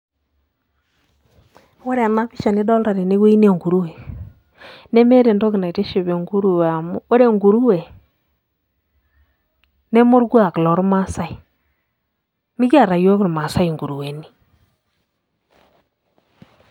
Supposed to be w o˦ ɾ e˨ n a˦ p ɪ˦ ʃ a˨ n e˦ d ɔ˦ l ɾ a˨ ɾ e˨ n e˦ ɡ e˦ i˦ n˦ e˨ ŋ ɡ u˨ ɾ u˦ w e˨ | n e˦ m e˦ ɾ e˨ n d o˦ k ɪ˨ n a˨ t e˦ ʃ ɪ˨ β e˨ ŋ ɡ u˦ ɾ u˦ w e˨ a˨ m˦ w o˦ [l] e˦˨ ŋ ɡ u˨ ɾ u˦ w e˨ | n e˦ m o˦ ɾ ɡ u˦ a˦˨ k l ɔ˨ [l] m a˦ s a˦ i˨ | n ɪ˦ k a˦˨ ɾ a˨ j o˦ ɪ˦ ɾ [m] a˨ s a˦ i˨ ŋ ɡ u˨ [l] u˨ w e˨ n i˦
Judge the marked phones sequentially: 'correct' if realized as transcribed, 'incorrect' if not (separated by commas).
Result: incorrect, incorrect, correct, incorrect